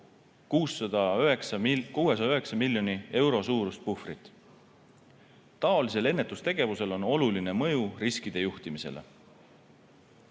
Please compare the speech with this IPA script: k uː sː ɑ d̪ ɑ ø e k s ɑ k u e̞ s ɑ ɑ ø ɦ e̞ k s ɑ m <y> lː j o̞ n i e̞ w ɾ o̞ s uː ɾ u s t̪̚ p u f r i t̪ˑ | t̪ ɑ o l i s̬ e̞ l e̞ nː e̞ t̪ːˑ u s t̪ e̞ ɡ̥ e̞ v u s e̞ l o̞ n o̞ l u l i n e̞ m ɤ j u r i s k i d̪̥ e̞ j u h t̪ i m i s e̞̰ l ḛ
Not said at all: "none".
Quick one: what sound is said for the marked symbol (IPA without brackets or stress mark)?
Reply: i